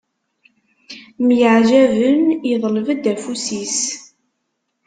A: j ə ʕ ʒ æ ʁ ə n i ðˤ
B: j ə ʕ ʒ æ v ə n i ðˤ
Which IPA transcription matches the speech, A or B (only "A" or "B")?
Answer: B